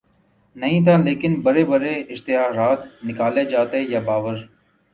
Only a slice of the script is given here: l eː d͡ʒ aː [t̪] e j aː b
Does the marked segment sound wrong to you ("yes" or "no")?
no